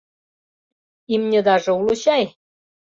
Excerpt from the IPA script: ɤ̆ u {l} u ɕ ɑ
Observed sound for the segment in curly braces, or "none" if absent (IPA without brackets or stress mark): l